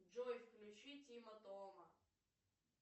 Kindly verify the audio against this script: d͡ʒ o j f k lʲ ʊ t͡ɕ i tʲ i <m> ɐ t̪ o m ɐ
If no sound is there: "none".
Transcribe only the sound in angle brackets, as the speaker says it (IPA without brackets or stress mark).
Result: m